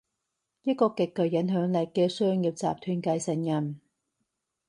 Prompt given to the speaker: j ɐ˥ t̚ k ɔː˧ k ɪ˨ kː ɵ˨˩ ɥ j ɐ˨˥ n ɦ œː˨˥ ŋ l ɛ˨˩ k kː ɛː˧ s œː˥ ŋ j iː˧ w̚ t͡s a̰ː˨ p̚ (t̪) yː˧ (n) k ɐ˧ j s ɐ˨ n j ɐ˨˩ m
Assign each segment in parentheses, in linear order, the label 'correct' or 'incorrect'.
incorrect: t̪ʰ, correct

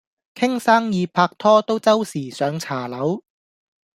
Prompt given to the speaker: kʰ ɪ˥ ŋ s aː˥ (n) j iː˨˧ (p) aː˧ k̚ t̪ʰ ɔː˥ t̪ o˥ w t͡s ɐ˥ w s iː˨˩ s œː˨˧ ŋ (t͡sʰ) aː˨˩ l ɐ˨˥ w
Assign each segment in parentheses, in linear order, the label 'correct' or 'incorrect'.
incorrect: ŋ, incorrect: pʰ, correct

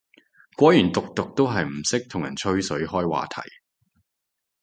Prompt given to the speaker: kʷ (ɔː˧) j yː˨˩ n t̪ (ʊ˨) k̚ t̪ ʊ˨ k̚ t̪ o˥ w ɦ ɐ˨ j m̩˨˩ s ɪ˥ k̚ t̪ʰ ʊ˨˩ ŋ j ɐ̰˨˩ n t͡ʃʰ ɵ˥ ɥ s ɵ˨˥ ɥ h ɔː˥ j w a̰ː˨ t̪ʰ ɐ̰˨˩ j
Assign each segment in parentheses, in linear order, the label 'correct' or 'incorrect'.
incorrect: ɔː˨˥, correct

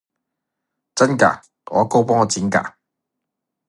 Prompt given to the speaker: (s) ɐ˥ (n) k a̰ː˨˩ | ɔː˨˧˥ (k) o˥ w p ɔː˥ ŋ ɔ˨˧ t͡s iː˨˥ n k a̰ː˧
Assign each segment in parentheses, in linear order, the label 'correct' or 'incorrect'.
incorrect: t͡s, correct, correct

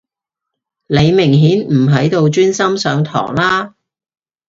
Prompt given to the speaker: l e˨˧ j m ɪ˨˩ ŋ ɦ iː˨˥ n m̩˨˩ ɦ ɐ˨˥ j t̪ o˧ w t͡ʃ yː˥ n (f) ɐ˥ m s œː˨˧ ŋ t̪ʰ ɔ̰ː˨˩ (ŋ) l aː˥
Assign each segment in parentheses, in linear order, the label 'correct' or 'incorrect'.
incorrect: s, correct

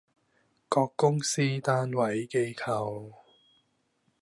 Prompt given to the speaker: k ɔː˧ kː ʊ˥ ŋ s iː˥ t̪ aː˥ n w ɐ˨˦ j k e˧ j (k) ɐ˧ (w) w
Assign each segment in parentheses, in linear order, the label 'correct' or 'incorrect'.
incorrect: kʰ, correct

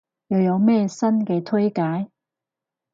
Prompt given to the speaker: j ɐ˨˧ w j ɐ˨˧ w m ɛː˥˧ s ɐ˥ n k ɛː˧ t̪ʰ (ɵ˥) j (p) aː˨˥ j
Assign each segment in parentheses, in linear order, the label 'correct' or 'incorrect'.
correct, incorrect: k

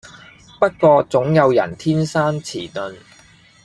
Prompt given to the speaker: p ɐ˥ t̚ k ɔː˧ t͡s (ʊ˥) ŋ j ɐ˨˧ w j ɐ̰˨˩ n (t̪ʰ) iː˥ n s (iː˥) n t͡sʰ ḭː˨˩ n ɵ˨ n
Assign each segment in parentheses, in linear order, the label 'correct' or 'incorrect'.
incorrect: ʊ˨˥, correct, incorrect: aː˥

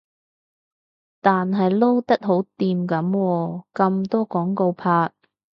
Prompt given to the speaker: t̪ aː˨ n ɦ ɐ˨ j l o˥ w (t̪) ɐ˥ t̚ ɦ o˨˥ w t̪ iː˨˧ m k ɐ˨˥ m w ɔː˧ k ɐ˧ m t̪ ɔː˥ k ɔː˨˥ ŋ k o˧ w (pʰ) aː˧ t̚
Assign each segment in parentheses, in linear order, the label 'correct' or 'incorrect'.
correct, correct

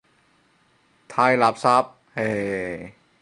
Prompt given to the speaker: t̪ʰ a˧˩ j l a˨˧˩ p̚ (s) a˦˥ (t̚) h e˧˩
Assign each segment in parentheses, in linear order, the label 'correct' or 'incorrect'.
correct, incorrect: p̚

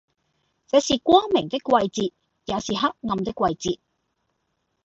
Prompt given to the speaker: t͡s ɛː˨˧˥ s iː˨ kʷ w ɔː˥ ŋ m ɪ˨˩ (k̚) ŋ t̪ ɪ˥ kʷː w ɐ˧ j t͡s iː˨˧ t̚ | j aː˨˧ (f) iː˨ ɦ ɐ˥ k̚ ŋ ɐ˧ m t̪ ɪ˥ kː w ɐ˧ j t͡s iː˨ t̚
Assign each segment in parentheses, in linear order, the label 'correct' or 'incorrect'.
incorrect: none, incorrect: s

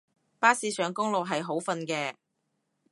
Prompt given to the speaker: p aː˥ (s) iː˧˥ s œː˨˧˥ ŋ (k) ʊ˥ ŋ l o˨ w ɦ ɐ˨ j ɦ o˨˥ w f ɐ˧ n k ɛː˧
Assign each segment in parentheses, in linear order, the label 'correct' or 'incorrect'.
correct, correct

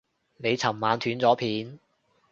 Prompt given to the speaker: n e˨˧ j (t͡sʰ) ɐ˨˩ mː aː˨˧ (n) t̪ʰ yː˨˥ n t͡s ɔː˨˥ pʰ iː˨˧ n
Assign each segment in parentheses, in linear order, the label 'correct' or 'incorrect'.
correct, correct

